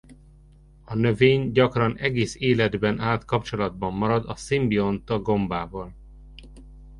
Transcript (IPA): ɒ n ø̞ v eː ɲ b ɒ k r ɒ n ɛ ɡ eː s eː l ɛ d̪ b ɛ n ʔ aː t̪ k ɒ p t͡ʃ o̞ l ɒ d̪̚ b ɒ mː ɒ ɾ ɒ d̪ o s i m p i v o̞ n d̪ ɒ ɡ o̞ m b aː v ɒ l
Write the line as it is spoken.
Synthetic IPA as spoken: ɒ n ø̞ v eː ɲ ɟ ɒ k r ɒ n ɛ ɡ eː s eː l ɛ d̪ b ɛ n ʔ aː t̪ k ɒ p t͡ʃ o̞ l ɒ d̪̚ b ɒ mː ɒ ɾ ɒ d̪ ɒ s i m b i o̞ n t̪ ɒ ɡ o̞ m b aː v ɒ l